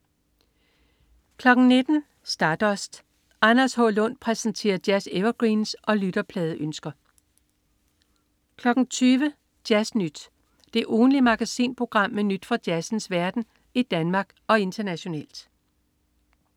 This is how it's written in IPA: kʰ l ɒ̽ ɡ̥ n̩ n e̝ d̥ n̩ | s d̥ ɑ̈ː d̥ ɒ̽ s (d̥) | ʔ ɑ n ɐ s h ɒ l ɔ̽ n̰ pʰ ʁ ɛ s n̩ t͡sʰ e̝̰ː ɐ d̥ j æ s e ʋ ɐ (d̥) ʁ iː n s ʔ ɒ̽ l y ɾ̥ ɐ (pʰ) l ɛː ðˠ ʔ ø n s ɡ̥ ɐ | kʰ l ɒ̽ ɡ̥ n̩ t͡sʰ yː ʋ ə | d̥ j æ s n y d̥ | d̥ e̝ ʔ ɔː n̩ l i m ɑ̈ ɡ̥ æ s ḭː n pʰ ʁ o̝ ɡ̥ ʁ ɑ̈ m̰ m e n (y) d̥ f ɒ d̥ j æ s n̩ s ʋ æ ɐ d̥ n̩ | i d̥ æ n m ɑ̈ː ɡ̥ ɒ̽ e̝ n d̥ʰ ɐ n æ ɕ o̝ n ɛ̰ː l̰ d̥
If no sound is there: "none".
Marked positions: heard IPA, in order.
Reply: d̥, ɡ̥, pʰ, y

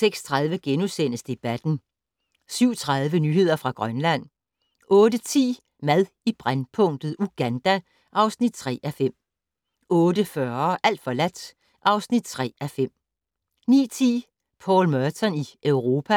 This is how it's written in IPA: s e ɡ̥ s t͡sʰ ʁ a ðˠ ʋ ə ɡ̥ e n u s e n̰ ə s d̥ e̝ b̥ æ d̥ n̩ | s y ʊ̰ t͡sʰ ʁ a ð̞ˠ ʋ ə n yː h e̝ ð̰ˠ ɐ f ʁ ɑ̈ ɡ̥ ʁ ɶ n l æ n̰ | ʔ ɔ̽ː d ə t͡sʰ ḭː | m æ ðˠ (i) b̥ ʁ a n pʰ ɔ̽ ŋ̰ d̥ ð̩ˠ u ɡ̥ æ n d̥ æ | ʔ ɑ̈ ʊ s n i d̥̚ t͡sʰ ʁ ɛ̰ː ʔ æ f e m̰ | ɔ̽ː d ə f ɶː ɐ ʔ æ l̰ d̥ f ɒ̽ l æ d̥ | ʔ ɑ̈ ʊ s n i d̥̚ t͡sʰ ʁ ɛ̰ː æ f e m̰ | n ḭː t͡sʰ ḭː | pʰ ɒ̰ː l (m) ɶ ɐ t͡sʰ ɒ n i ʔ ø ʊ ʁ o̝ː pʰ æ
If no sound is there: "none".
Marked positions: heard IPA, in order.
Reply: i, m

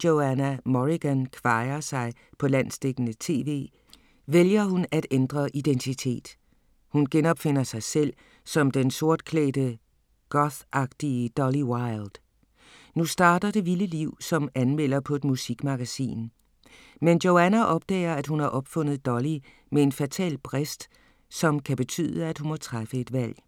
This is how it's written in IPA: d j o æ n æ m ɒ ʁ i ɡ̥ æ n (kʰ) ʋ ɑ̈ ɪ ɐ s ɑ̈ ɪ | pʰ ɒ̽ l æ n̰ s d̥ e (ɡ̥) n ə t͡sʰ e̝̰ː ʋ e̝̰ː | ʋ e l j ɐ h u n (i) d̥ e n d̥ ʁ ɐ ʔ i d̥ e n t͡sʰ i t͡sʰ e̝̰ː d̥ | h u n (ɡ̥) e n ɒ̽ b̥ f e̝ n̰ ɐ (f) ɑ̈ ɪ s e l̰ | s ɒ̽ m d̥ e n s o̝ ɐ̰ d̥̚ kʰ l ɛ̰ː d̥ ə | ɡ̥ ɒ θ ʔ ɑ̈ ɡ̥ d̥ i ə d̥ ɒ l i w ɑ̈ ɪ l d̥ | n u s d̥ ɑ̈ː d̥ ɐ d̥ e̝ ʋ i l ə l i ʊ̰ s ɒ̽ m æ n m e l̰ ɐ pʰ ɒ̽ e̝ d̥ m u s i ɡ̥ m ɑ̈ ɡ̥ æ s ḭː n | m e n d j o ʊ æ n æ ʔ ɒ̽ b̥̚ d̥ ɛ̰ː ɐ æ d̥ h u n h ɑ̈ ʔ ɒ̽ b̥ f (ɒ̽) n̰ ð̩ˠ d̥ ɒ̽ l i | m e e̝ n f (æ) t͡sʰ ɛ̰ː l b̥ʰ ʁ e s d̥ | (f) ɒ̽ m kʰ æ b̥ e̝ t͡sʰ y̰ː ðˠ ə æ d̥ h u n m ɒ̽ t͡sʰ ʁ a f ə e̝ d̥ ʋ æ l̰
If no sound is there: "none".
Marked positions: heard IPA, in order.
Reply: kʰ, ɡ̥, æ, ɡ̥, s, ɔ̽, æ, s

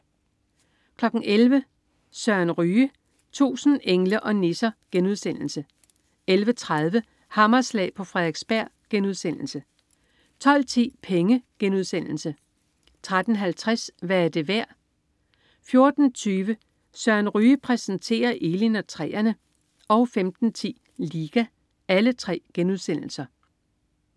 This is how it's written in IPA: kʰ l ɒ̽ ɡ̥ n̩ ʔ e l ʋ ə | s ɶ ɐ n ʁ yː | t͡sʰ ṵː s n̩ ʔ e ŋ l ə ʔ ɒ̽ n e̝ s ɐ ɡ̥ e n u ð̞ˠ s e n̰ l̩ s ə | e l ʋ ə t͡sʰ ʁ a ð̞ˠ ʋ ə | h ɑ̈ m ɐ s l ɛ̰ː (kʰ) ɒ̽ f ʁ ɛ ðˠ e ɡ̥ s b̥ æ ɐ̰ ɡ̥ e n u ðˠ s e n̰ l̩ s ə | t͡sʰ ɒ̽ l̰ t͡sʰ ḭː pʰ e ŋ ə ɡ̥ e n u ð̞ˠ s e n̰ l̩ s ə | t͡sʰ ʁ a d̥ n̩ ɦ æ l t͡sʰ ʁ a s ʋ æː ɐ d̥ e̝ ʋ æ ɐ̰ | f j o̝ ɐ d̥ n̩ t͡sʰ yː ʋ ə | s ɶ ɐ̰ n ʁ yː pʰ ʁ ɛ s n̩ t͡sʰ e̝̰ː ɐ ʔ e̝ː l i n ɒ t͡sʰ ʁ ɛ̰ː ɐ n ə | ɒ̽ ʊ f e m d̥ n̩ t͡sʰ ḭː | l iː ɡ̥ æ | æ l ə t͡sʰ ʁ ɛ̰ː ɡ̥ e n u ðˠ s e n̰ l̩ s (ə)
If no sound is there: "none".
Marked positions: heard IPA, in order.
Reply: pʰ, ɐ

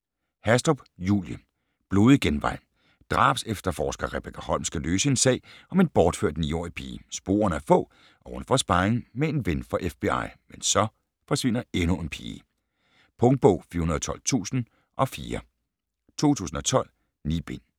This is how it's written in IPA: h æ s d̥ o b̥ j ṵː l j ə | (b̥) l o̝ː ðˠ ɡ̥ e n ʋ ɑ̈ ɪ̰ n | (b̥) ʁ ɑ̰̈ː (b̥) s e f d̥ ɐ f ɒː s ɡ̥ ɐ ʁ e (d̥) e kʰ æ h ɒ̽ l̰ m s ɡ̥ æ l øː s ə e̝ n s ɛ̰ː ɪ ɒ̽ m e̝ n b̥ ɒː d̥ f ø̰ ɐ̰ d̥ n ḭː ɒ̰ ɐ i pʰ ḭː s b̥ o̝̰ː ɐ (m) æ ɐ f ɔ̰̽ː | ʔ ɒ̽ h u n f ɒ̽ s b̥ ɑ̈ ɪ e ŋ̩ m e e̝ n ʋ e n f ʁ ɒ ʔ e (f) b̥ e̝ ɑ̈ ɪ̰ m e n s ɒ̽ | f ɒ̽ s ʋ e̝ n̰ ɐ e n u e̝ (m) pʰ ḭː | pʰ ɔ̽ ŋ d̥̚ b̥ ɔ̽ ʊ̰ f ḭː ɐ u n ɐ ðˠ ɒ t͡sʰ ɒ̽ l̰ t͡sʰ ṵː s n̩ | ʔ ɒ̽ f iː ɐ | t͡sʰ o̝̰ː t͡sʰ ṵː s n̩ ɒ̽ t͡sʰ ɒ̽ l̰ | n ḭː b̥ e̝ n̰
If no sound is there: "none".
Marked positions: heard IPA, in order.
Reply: b̥, d̥, b̥, b̥, n, f, n

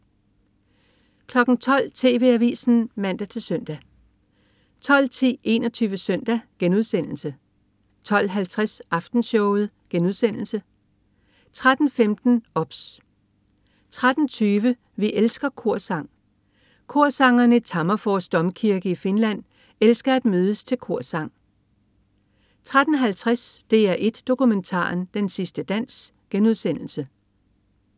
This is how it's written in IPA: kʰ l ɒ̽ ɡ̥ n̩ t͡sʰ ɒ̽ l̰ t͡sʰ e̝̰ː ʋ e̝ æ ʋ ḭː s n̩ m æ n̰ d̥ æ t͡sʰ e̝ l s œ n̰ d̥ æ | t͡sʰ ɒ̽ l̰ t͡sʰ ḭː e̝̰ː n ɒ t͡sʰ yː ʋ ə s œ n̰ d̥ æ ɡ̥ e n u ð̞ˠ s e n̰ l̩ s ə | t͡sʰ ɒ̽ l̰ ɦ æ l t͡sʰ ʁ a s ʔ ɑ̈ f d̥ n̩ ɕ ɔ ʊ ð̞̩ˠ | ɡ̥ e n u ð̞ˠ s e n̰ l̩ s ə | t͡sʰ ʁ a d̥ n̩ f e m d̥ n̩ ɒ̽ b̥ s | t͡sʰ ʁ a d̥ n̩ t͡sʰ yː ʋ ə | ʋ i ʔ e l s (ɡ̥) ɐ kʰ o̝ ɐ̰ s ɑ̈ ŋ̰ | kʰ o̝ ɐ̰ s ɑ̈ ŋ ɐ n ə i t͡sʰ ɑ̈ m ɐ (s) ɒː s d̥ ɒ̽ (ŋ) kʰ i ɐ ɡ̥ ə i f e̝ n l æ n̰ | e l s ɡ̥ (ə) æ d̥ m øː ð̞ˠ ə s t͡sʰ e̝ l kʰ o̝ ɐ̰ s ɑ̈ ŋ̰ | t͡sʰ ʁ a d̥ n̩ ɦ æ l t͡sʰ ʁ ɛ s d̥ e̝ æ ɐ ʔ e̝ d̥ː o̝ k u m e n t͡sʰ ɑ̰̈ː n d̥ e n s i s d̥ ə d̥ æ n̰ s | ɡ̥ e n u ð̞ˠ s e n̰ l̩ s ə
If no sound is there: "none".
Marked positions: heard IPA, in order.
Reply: ɡ̥, f, m, ɐ

